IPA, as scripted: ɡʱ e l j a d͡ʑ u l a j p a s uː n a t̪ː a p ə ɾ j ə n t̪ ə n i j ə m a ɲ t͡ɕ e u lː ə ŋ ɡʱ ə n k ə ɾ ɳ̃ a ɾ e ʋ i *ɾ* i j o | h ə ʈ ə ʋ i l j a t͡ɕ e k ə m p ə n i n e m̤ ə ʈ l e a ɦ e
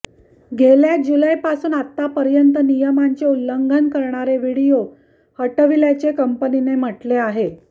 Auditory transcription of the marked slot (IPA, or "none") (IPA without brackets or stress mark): ɽ